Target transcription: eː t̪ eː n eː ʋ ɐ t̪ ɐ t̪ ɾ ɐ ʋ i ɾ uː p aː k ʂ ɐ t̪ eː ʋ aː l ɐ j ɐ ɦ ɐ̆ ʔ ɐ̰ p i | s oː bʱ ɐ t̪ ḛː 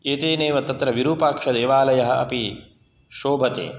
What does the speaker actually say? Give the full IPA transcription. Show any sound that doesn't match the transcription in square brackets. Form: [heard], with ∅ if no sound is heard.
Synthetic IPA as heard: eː t̪ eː n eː ʋ ɐ t̪ ɐ t̪ ɾ ɐ ʋ i ɾ uː p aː k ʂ ɐ [d̪] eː ʋ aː l ɐ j ɐ ɦ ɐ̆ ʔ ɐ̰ p i | [ʃ] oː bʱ ɐ t̪ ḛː